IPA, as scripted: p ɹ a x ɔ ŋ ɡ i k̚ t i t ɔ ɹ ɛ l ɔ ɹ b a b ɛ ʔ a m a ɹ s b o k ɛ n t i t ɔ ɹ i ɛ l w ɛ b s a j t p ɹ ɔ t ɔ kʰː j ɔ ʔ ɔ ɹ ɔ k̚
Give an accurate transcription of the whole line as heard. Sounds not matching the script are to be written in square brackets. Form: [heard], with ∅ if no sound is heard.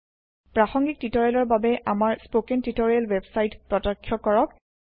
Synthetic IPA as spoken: p ɹ a x ɔ ŋ ɡ i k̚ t i t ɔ ɹ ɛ l ɔ ɹ b a b ɛ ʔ a m a ɹ s [p] o k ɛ n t i t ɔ ɹ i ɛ l w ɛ b s a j t p ɹ ɔ t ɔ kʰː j ɔ [k] ɔ ɹ ɔ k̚